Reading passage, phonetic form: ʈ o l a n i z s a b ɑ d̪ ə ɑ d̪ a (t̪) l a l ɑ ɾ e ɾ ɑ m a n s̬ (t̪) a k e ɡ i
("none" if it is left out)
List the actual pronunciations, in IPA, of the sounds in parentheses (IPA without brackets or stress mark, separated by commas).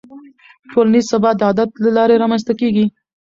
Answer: t̪, t̪